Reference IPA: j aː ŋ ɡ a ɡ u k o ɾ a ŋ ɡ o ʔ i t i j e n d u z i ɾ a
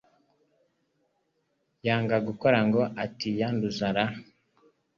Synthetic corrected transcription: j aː ŋ ɡ a ɡ u k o ɾ a ŋ ɡ o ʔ a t i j a n d u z a ɾ a